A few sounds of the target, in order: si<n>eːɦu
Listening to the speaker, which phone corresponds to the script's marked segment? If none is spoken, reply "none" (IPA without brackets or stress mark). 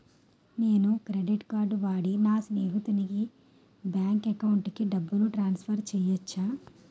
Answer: n